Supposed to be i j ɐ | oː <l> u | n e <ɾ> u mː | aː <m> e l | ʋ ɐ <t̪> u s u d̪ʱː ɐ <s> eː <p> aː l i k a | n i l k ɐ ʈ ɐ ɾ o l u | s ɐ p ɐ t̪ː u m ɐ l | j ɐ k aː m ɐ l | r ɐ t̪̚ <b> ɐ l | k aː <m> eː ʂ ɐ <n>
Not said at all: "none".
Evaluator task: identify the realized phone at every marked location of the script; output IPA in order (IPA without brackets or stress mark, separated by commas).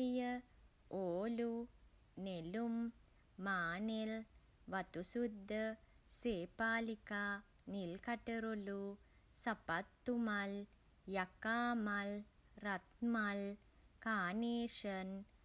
l, l, n, t̪, s, p, m, n, n